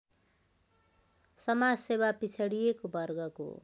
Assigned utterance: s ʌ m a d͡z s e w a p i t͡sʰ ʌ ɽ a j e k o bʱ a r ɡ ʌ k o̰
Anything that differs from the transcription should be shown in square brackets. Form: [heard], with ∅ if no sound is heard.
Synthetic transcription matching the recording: s ʌ m a d͡z s e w a p i t͡sʰ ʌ ɽ [i] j e k o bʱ [ʌ] r ɡ ʌ k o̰